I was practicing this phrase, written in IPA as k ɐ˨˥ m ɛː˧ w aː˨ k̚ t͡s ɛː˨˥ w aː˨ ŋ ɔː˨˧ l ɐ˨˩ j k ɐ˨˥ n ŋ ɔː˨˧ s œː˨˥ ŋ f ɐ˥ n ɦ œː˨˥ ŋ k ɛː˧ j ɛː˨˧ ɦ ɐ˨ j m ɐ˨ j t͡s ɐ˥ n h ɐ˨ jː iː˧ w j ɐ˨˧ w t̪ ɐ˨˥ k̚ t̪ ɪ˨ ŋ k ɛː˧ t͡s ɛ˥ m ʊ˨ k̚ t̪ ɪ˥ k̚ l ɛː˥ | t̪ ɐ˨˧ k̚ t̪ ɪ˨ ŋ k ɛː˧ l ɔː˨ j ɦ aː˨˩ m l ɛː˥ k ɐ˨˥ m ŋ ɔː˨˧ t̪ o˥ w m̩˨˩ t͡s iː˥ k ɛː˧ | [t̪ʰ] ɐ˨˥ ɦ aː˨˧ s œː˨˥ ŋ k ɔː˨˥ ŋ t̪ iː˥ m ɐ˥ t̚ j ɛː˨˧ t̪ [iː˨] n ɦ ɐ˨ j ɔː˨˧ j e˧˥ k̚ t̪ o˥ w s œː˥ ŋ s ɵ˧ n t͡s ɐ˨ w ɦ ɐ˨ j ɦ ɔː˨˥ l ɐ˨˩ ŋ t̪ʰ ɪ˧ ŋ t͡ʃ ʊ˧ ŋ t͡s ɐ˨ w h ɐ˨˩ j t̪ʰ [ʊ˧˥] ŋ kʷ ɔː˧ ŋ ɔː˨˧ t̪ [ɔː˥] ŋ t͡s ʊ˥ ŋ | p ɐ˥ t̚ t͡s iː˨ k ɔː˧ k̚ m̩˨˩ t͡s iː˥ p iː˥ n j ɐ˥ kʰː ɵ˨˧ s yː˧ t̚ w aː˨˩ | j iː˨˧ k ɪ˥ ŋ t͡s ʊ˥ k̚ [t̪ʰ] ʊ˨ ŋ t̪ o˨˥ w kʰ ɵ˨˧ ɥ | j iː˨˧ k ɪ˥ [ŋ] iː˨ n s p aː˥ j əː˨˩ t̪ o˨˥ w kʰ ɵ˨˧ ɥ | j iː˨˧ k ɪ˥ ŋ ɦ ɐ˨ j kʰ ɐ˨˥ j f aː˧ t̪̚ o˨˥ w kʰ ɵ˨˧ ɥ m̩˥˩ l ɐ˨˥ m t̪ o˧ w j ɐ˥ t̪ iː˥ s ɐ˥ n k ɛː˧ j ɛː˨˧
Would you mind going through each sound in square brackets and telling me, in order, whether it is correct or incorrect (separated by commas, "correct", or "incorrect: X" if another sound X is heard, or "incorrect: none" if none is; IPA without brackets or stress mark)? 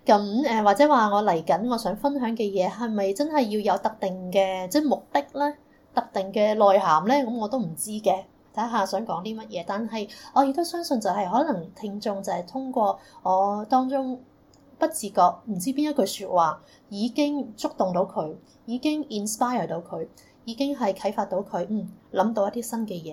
correct, incorrect: aː˨, incorrect: ʊ˥, correct, incorrect: t̪, correct